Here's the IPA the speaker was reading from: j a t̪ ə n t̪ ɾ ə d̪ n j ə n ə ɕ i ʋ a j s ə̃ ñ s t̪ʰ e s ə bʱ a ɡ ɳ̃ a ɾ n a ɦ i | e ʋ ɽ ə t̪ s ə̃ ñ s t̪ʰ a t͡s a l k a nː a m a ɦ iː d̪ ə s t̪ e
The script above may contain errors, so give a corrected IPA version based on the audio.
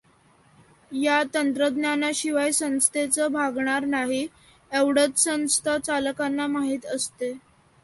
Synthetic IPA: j a t̪ ə n t̪ ɾ ə d̪ n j a n a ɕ i ʋ a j s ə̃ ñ s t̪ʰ e t͡s ə bʱ a ɡ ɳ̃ a ɾ n a ɦ i | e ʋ ɽ ə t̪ s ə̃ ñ s t̪ʰ a t͡s a l k a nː a m a ɦ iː t̪ ə s t̪ e